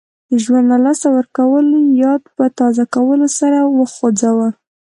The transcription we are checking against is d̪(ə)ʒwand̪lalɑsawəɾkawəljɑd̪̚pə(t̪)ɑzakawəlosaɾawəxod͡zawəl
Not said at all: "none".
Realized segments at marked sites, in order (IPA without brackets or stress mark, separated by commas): ə, t̪